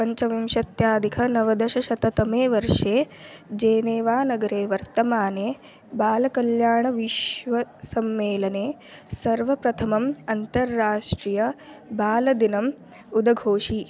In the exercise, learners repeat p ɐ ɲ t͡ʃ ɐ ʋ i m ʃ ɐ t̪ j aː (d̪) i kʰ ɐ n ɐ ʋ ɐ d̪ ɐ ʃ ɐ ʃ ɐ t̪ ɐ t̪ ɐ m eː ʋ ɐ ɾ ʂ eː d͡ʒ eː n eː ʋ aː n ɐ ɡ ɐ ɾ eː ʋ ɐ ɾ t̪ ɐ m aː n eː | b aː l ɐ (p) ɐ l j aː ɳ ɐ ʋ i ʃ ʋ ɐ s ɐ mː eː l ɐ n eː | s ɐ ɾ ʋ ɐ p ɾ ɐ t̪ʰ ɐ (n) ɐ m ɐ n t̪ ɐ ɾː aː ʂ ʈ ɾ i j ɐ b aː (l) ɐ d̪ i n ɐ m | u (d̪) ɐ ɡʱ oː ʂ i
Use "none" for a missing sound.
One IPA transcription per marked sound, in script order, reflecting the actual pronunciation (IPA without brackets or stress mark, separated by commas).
d̪, k, m, l, d̪